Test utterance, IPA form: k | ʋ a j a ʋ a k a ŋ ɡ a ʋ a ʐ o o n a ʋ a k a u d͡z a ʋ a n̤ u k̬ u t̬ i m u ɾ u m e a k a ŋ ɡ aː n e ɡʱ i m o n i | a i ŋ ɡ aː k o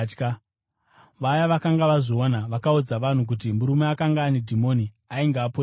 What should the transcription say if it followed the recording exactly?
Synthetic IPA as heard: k | ʋ a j a ʋ a k a ŋ ɡ a ʋ a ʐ o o n a ʋ a k a u d͡z a ʋ a n̤ u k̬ u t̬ i m u ɾ u m e a k a ŋ ɡ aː n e dʱ i m o n i | a i ŋ ɡ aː p o